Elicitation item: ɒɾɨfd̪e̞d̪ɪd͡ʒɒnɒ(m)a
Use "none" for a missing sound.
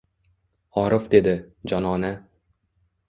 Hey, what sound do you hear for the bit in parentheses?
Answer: n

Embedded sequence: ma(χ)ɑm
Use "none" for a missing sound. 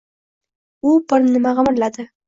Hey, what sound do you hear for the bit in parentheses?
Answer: ʁ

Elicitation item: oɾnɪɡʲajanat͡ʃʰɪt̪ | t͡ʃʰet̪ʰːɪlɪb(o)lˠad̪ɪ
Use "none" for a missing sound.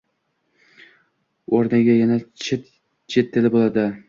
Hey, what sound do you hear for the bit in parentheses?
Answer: o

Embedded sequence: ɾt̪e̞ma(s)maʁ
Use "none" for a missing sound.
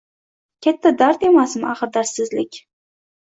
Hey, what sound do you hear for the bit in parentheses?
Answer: s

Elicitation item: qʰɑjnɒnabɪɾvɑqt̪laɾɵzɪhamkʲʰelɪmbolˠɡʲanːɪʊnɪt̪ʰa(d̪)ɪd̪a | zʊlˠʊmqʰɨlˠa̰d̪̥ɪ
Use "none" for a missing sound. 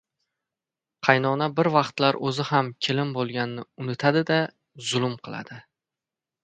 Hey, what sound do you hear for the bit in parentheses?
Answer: d̪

